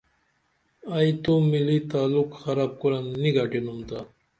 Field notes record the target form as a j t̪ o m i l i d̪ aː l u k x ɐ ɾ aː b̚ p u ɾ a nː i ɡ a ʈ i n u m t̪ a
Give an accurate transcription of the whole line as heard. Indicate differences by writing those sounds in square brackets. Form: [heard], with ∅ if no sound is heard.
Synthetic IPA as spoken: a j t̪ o m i l i [t̪] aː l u k x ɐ ɾ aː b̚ [k] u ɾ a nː i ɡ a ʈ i n u m t̪ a